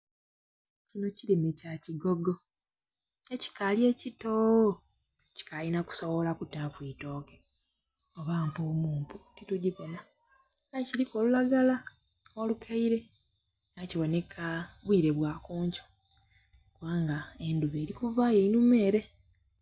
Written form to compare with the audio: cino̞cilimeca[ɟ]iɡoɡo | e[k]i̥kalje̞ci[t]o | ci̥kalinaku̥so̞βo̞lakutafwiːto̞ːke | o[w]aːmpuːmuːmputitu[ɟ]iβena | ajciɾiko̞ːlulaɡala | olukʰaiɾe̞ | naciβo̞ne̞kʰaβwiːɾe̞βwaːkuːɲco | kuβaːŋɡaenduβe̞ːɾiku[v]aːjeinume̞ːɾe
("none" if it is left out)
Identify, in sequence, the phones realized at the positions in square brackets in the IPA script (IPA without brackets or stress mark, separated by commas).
c, c, t, β, ɟ, v